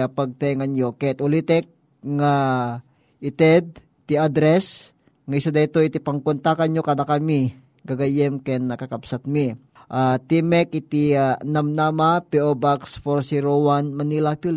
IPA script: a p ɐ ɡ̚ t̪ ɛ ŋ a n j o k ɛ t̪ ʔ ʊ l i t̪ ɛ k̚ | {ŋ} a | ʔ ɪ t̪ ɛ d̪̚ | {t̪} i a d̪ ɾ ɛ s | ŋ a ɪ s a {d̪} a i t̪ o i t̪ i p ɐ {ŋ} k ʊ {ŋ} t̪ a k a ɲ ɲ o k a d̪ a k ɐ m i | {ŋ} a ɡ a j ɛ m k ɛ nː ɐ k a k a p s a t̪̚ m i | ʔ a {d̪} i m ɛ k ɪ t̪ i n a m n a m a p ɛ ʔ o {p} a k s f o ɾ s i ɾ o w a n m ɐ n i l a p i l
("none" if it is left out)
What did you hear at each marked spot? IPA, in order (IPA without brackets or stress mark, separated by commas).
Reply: ŋ, t̪, d̪, ŋ, n, ɡ, t̪, b